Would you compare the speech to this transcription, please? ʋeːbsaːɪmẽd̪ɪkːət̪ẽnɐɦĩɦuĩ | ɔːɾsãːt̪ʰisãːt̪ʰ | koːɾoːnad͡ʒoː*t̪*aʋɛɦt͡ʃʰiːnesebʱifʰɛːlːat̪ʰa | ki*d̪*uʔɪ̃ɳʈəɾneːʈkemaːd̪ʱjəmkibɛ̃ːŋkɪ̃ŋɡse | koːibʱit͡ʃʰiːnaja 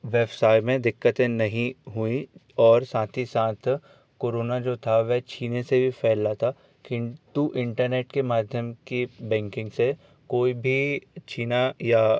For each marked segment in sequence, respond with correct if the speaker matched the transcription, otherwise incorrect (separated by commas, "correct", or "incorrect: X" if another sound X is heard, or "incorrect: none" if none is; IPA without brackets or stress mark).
incorrect: t̪ʰ, incorrect: t̪